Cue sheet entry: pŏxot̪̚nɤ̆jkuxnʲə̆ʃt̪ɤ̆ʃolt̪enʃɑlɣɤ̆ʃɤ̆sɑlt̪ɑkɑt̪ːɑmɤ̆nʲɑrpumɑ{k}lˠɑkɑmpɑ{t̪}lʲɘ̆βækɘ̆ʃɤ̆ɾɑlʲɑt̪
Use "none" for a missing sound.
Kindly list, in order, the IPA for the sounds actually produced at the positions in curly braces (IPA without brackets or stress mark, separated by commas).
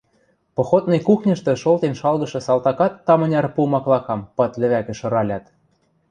k, t̪